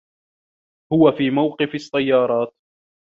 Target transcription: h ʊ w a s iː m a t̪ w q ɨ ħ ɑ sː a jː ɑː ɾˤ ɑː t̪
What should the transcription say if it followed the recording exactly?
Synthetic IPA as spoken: h ʊ w a f iː m a w q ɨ f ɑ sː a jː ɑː ɾˤ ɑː t̪